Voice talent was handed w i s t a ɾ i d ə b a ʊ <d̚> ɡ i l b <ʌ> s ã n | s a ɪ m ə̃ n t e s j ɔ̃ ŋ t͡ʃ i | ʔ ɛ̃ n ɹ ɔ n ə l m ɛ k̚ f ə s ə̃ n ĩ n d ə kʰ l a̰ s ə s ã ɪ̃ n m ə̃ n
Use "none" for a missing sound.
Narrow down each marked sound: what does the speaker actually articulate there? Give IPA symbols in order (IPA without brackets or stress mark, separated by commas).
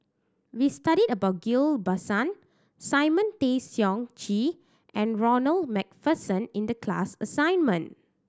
t̚, a